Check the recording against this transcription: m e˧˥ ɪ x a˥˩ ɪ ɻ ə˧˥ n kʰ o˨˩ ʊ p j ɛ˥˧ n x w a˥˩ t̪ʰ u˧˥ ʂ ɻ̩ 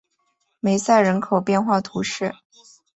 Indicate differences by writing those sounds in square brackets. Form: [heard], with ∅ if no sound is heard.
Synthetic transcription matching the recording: m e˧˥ ɪ [s] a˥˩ ɪ ɻ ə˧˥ n kʰ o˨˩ ʊ p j ɛ˥˧ n x w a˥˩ t̪ʰ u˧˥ ʂ ɻ̩